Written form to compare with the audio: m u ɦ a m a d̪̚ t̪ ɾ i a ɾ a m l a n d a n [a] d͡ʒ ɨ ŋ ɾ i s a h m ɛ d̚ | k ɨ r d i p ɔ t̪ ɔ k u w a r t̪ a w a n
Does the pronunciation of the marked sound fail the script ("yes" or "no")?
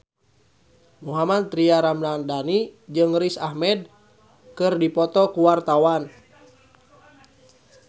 yes